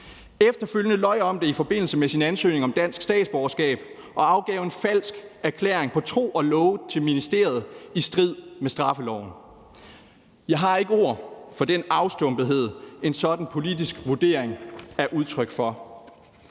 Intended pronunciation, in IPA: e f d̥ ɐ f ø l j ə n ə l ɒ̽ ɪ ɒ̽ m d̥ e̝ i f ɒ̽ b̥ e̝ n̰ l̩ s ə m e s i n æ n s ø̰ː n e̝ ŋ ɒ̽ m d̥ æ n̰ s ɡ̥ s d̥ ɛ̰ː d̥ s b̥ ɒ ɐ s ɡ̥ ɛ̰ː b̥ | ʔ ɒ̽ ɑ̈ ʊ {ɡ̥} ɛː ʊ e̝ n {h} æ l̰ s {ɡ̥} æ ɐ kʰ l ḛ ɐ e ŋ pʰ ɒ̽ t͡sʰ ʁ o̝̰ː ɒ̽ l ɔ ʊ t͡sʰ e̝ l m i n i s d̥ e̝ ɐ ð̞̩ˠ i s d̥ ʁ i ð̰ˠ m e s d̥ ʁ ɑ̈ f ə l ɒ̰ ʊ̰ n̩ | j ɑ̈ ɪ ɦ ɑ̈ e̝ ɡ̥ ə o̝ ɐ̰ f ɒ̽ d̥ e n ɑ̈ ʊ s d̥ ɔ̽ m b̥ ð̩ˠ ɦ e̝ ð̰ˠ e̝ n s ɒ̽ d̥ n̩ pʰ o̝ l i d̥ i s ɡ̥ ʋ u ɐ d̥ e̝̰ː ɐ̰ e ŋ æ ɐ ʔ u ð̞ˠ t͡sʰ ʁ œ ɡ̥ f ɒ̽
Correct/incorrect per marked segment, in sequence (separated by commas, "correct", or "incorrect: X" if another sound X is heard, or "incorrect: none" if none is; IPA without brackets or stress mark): correct, incorrect: f, correct